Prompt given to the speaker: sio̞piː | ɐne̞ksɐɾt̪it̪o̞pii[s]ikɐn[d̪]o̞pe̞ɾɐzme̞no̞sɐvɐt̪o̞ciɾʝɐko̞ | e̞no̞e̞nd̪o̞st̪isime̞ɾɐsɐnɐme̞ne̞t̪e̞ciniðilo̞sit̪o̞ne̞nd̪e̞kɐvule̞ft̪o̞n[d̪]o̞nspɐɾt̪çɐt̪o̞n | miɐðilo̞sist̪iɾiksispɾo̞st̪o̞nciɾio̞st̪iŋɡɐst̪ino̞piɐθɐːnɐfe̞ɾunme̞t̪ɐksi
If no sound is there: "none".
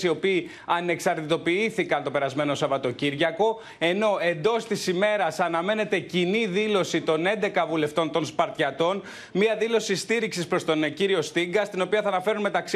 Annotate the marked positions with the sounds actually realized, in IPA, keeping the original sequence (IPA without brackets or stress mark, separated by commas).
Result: θ, t̪, t̪